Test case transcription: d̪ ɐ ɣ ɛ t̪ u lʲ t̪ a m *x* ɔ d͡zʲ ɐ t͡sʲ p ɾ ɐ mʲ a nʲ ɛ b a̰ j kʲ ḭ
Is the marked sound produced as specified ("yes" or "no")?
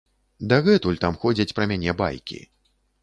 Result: yes